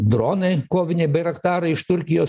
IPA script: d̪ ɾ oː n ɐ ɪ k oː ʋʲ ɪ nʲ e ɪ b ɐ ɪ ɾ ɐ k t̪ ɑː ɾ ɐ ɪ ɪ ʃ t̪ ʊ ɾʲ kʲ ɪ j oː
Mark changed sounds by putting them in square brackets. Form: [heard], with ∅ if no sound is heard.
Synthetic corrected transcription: d̪ ɾ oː n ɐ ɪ k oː ʋʲ ɪ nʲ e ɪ b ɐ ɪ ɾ ɐ k t̪ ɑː ɾ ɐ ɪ ɪ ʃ t̪ ʊ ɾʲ kʲ ɪ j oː